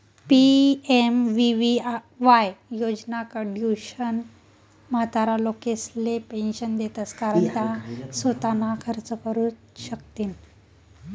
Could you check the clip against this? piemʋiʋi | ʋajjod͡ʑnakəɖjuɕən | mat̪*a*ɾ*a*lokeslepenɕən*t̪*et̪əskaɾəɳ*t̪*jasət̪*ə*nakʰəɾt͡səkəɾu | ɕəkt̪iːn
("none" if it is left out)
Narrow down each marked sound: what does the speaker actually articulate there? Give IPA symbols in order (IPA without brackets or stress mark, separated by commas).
a, a, d̪, t̪, a